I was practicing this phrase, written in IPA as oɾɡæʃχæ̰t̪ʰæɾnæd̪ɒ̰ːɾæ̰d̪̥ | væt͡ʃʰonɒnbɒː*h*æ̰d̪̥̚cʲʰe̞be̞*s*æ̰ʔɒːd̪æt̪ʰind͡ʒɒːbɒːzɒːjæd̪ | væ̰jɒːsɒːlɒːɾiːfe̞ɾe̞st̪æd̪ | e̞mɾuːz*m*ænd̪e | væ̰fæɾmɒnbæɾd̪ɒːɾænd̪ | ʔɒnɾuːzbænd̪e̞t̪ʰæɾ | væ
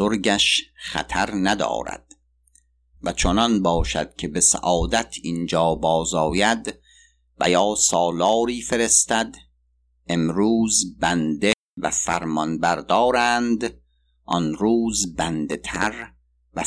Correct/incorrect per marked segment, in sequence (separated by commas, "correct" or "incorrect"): incorrect, correct, incorrect